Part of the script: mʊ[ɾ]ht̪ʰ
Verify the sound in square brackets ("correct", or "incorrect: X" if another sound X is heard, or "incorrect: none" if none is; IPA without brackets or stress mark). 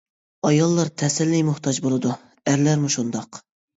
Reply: incorrect: none